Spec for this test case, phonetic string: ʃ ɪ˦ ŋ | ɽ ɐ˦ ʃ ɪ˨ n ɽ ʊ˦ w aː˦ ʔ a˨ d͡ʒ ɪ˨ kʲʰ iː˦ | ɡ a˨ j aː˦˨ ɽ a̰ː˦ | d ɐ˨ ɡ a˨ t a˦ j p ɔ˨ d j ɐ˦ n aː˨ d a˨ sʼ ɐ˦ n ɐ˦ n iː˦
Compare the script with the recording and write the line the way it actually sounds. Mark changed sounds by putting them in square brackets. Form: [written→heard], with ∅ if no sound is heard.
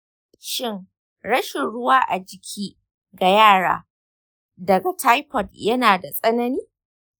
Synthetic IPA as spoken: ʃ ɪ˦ ŋ | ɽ ɐ˦ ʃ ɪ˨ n ɽ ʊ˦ w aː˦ ʔ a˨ d͡ʒ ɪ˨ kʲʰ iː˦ | ɡ a˨ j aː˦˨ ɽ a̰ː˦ | d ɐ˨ ɡ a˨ t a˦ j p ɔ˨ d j ɐ˦ n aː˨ d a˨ sʼ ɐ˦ n ɐ˦ n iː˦